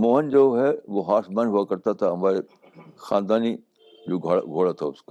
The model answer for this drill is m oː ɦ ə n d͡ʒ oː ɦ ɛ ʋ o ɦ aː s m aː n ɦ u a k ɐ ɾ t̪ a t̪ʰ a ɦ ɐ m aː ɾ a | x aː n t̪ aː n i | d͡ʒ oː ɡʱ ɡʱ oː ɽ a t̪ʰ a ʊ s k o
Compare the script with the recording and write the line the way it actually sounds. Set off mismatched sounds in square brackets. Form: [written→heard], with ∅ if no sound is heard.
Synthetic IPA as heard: m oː ɦ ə n d͡ʒ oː ɦ ɛ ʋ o ɦ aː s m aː n ɦ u a k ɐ ɾ t̪ a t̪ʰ a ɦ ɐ m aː ɾ [a→e] | x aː n [t̪→d̪] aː n i | d͡ʒ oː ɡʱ ɡʱ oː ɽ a t̪ʰ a ʊ s k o